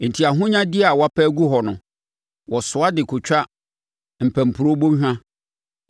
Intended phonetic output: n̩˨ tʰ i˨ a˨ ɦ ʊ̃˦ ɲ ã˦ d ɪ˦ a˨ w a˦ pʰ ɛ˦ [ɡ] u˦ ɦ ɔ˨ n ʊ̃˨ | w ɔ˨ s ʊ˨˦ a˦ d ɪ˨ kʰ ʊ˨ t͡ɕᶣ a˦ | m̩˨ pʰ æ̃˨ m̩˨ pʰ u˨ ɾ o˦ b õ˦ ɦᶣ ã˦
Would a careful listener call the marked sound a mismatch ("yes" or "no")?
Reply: no